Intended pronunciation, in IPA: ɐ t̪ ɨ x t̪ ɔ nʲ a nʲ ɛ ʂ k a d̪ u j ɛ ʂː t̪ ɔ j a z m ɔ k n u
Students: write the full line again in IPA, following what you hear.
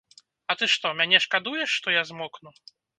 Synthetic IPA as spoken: ɐ t̪ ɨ ʂ t̪ ɔ mʲ a nʲ ɛ ʂ k a d̪ u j ɛ ʂː t̪ ɔ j a z m ɔ k n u